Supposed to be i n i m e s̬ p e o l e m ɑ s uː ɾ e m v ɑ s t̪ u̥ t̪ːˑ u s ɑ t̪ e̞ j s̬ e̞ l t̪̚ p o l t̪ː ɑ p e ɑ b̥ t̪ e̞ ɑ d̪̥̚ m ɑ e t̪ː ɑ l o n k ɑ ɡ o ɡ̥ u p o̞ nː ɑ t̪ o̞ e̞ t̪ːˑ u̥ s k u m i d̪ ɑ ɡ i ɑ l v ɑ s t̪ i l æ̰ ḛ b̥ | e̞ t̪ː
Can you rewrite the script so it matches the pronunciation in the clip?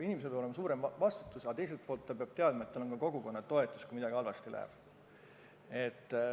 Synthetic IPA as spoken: i n i m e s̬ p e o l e m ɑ s uː ɾ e m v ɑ s t̪ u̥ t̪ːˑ u s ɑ t̪ e̞ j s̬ e̞ l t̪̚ p o l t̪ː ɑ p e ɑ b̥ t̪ e̞ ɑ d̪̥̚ m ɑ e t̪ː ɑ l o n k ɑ k o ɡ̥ u k o̞ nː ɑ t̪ o̞ e̞ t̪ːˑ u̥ s k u m i d̪ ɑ ɡ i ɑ l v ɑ s t̪ i l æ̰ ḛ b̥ | e̞ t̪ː